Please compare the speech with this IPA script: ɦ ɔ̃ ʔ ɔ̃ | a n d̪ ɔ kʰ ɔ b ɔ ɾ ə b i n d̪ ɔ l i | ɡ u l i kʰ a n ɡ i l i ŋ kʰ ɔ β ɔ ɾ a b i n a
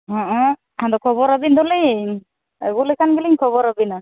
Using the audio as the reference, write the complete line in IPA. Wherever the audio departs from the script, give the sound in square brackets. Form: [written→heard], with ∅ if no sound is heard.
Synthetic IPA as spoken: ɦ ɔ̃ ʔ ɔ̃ | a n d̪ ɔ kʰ ɔ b ɔ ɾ [ə→a] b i n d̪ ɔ l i | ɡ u l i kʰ a n ɡ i l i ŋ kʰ ɔ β ɔ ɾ a b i n a